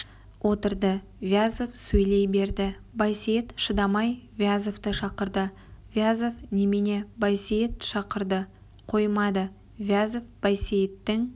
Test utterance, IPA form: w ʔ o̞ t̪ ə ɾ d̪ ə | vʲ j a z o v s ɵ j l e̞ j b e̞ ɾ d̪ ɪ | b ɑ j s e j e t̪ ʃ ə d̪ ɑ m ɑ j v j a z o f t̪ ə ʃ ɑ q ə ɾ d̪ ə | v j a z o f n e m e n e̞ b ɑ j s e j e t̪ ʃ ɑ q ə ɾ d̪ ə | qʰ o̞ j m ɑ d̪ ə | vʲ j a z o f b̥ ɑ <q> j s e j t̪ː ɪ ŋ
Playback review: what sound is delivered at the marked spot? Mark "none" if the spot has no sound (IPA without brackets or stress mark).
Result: none